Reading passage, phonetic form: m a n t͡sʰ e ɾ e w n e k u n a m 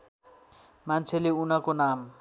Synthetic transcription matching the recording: m a n t͡sʰ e l e u n a k o n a m